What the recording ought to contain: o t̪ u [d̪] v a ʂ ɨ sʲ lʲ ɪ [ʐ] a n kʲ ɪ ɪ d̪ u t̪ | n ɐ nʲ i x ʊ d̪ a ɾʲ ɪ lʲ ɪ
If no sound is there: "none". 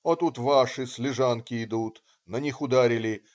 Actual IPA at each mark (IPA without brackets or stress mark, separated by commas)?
t̪, ʐ